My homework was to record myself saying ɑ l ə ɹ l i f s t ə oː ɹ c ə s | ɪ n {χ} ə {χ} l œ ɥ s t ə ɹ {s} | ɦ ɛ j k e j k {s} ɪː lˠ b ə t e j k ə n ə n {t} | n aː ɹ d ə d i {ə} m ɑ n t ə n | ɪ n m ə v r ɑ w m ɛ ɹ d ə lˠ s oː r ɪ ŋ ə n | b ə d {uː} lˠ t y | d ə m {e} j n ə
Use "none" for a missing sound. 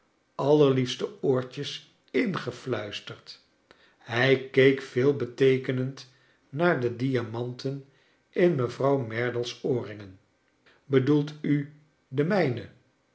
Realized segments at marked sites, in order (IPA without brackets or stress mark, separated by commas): χ, f, t, f, t, a, u, ɛ